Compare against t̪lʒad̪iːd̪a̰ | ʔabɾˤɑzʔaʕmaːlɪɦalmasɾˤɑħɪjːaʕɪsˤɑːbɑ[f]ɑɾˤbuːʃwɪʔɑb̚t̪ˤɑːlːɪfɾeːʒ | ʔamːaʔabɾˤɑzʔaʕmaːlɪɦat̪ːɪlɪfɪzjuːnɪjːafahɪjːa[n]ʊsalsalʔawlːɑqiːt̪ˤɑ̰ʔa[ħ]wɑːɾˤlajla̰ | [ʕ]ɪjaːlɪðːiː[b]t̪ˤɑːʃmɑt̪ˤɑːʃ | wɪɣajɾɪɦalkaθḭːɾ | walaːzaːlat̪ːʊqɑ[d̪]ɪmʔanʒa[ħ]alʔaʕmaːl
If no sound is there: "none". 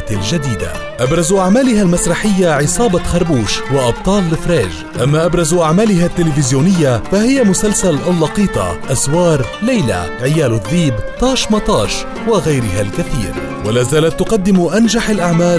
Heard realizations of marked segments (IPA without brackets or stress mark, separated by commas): x, m, s, ʕ, b, d̪ː, ħ